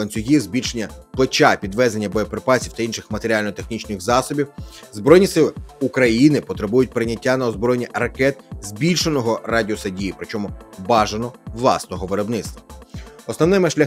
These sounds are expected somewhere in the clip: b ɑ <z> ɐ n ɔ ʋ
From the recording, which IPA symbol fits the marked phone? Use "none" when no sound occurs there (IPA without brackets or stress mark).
ʒ